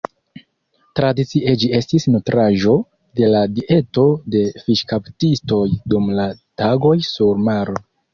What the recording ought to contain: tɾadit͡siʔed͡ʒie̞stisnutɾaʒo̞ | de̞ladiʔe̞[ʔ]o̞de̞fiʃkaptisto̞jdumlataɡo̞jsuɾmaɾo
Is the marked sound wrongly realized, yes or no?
yes